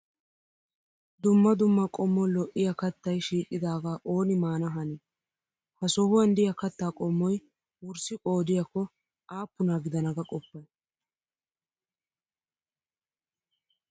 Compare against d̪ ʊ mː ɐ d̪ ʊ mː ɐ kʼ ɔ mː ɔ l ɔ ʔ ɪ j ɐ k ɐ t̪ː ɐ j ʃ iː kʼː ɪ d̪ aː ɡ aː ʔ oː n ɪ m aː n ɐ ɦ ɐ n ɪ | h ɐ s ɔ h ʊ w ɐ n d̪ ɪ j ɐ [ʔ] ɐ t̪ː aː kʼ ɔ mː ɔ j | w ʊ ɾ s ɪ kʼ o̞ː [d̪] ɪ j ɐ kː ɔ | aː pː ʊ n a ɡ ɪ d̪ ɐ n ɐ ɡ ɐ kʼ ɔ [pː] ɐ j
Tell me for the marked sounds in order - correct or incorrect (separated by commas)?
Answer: incorrect, correct, correct